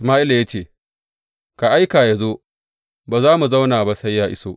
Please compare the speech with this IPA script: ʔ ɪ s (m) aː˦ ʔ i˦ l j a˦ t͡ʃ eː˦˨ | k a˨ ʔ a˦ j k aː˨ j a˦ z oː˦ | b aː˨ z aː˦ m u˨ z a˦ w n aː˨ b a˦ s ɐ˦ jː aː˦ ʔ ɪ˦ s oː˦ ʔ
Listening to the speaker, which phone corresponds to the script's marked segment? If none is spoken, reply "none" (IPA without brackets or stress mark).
m